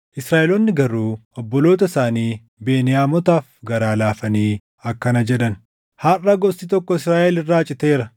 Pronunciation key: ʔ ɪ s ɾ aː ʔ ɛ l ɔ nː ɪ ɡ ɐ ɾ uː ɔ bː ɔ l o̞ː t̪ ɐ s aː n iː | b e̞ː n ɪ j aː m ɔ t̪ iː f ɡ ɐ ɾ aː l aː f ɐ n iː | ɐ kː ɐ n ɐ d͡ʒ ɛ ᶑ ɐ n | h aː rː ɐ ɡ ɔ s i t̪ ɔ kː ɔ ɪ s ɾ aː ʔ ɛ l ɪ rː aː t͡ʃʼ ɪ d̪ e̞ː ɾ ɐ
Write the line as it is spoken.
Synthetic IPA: ʔ ɪ s ɾ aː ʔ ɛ l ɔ nː ɪ ɡ ɐ ɾ uː ɔ bː ɔ l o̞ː t̪ ɐ s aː n iː | b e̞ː n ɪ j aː m ɔ t̪ aː f ɡ ɐ ɾ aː l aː f ɐ n iː | ɐ kː ɐ n ɐ d͡ʒ ɛ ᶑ ɐ n | h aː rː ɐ ɡ ɔ s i t̪ ɔ kː ɔ ɪ s ɾ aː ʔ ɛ l ɪ rː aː t͡ʃʼ ɪ t̪ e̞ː ɾ ɐ